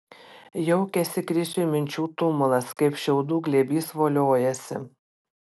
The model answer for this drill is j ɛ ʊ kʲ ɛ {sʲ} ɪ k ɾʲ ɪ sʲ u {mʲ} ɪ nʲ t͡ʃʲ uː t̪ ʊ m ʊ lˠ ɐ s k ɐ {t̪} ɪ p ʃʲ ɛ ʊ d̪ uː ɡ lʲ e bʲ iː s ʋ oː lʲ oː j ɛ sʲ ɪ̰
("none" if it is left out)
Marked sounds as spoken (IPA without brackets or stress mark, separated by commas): sʲ, mʲ, none